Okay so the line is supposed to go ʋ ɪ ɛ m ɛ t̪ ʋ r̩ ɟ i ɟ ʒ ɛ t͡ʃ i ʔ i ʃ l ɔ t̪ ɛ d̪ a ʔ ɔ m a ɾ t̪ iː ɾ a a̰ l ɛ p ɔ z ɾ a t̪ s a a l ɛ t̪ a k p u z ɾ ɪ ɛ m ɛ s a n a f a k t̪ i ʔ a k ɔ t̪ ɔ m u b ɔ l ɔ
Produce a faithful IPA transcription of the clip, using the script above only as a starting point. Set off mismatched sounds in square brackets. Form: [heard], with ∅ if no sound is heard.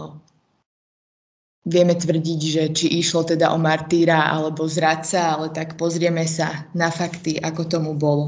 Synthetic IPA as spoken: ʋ ɪ ɛ m ɛ t̪ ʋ r̩ ɟ i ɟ ʒ ɛ t͡ʃ i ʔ i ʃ l ɔ t̪ ɛ d̪ a ʔ ɔ m a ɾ t̪ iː ɾ a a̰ l ɛ [b] ɔ z ɾ a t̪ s a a l ɛ t̪ a k p [ɔ] z ɾ ɪ ɛ m ɛ s a n a f a k t̪ i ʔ a k ɔ t̪ ɔ m u b ɔ l ɔ